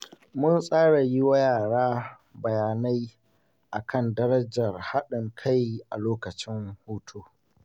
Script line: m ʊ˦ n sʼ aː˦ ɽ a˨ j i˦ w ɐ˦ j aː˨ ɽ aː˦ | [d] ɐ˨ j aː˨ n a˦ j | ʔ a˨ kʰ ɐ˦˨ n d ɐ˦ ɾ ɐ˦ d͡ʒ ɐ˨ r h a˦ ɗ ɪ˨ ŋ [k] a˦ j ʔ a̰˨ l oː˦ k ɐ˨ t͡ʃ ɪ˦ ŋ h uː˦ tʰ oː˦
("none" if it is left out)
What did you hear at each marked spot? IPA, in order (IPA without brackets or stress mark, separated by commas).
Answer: b, kʰ